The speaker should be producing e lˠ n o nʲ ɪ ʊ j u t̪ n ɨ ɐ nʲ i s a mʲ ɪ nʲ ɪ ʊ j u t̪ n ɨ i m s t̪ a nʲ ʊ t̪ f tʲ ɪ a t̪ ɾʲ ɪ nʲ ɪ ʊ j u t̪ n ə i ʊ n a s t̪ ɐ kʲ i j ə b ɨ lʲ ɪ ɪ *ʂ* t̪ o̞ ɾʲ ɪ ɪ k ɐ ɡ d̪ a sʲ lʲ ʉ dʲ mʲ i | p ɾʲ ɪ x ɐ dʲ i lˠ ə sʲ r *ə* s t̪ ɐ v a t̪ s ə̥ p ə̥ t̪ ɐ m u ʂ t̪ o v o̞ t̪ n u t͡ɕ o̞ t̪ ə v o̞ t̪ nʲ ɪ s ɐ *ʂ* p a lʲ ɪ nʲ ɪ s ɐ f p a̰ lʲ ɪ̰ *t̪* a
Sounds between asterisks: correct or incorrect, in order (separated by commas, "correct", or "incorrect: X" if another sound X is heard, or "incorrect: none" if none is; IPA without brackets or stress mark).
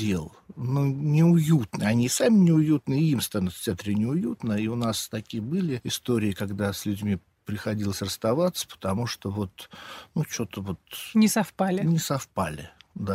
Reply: incorrect: s, correct, incorrect: f, incorrect: d̪